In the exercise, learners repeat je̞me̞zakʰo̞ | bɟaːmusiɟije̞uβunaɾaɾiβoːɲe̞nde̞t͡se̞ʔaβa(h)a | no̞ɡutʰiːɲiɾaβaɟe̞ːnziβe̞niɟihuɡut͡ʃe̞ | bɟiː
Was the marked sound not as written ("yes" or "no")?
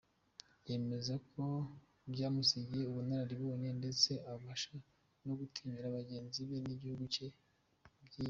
yes